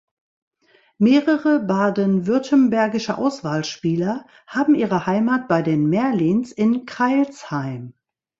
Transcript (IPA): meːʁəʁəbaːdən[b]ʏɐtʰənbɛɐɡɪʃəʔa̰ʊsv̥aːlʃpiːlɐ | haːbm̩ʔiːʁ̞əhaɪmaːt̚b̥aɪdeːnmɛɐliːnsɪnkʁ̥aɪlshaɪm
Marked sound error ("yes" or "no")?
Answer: yes